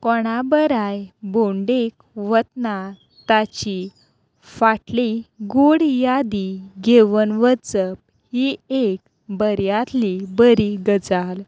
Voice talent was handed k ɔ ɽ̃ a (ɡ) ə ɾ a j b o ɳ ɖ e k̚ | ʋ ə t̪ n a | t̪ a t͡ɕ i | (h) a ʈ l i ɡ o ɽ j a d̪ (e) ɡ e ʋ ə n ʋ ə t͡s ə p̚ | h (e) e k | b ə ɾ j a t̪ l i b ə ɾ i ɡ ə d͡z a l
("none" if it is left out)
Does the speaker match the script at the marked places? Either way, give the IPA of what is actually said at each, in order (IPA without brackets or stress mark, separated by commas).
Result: b, f, i, i